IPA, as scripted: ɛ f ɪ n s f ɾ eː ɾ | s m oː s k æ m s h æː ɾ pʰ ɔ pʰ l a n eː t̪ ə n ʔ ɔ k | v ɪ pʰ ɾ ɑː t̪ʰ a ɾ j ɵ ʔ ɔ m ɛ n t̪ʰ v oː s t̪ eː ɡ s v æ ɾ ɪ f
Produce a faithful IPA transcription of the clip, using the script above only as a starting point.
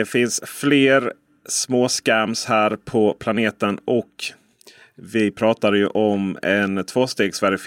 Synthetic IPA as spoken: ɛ f ɪ n s f l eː ɾ | s m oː s k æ m s h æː ɾ pʰ ɔ pʰ l a n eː t̪ ə n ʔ ɔ k | v ɪ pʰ ɾ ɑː t̪ a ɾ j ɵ ʔ ɔ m ɛ n t̪ʰ v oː s t̪ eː ɡ s v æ ɾ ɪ f